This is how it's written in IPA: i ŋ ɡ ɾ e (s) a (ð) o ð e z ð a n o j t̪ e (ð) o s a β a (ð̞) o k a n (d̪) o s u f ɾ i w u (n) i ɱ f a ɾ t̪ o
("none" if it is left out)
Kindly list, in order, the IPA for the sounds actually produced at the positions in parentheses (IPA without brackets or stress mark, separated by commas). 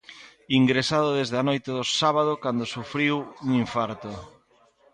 s, ð, ð, ð̞, d̪, ŋ